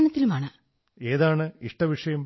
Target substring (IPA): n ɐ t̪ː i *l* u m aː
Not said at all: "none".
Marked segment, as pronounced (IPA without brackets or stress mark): l